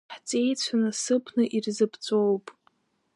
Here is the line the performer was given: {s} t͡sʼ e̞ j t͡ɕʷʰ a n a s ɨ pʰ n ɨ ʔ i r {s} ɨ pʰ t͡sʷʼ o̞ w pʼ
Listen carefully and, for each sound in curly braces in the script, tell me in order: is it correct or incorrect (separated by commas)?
incorrect, incorrect